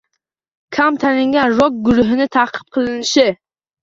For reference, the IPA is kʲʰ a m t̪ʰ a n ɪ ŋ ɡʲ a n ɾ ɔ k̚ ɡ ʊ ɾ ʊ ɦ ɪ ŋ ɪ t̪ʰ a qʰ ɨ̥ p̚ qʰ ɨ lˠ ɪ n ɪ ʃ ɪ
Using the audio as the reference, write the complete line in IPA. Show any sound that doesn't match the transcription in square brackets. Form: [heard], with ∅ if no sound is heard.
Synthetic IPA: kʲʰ a m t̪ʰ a n ɪ ŋ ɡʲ a n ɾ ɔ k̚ ɡ ʊ ɾ ʊ ɦ ɪ [n] ɪ t̪ʰ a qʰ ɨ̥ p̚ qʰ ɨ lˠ ɪ n ɪ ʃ ɪ